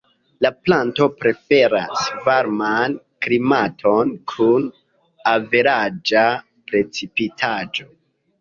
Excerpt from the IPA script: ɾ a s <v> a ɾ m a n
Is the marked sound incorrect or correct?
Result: correct